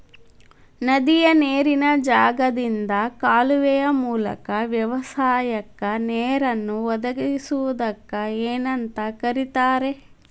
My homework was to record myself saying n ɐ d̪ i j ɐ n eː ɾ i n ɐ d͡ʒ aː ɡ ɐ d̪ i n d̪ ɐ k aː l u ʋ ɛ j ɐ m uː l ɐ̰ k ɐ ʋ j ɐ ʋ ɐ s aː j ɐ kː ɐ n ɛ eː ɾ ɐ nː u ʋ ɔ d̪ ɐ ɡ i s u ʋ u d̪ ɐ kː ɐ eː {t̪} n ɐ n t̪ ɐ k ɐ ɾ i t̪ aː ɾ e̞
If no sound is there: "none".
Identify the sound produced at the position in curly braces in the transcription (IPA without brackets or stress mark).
none